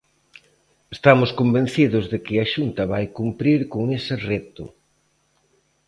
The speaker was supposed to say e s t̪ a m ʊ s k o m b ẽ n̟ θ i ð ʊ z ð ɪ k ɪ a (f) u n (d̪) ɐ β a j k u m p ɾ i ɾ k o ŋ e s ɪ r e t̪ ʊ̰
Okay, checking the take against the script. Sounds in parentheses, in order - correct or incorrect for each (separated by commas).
incorrect, incorrect